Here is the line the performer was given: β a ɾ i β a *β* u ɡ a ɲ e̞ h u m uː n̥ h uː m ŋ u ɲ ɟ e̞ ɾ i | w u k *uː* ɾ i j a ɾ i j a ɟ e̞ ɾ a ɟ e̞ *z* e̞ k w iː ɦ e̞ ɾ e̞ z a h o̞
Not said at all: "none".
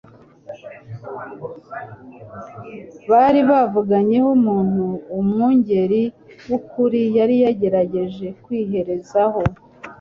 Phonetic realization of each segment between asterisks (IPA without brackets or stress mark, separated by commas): v, u, ʒ